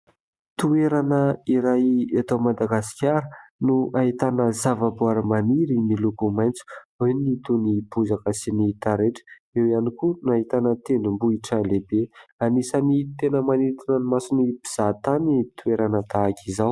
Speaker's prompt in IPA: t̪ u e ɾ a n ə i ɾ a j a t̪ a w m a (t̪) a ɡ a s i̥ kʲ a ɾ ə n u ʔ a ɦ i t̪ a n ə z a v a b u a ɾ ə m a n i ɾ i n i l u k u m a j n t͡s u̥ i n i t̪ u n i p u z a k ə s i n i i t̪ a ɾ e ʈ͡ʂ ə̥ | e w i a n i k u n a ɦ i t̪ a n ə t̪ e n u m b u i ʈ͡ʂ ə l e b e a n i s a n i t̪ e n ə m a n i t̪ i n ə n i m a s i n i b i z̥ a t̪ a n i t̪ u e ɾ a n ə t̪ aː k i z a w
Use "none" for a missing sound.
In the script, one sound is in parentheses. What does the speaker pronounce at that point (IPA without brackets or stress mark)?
d̪